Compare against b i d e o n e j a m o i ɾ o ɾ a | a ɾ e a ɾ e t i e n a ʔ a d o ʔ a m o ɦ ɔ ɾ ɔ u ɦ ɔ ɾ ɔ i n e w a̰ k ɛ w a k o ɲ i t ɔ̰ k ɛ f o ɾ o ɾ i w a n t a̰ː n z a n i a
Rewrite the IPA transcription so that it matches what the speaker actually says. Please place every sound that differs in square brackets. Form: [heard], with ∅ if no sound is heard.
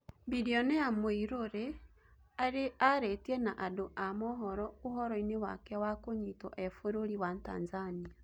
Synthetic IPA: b i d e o n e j a m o i ɾ o ɾ [e] | a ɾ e a ɾ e t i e n a ʔ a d o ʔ a m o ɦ ɔ ɾ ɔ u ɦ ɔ ɾ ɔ i n e w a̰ k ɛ w a k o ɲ i t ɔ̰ [ʔ] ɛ f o ɾ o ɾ i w a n t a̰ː n z a n i a